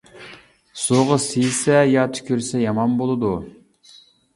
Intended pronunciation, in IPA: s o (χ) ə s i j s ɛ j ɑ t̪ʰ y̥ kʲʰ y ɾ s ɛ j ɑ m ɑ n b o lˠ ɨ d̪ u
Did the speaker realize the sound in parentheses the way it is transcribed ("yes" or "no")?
no